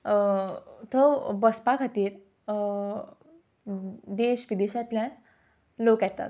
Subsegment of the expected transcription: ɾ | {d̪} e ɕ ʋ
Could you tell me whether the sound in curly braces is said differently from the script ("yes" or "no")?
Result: no